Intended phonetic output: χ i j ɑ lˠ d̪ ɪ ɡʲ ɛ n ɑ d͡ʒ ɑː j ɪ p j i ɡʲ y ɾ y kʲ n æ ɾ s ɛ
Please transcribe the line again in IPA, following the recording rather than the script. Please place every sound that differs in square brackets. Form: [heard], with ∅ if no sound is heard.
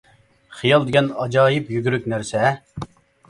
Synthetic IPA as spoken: χ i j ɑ lˠ d̪ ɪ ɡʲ ɛ n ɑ d͡ʒ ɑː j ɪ p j [y] ɡʲ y ɾ y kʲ n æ ɾ s ɛ